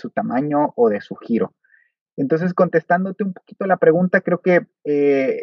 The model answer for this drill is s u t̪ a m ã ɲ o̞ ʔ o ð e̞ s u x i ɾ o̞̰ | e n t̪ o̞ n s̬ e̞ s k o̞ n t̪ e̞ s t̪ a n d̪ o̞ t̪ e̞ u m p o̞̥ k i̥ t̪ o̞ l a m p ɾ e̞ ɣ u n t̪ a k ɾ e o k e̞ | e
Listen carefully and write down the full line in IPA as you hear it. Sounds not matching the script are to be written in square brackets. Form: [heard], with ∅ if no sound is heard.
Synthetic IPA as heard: s u t̪ a m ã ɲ o̞ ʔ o ð e̞ s u x i ɾ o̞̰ | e n t̪ o̞ n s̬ e̞ s k o̞ n t̪ e̞ s t̪ a n d̪ o̞ t̪ e̞ u m p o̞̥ k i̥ t̪ o̞ l a [∅] p ɾ e̞ ɣ u n t̪ a k ɾ e o k e̞ | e